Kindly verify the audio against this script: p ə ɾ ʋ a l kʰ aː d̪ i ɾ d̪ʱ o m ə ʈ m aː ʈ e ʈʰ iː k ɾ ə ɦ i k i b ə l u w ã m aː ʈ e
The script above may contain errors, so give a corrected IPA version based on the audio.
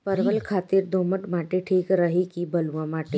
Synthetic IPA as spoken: p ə ɾ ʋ ə l kʰ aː t̪ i ɾ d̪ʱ o m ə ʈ m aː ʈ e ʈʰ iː k ɾ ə ɦ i k i b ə l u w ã m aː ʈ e